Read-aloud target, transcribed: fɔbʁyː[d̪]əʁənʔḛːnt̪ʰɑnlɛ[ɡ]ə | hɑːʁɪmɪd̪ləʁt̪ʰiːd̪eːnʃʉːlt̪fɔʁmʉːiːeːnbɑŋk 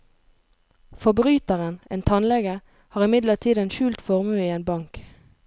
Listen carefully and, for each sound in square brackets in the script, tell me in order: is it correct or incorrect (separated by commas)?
incorrect, correct